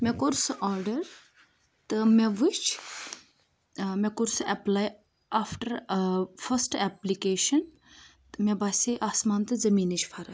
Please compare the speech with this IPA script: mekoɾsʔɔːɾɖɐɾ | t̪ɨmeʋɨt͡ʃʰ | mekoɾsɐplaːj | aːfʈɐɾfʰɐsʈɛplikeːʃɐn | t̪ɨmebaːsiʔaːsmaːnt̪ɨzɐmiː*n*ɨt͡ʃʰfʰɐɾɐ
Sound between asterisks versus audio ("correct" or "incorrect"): correct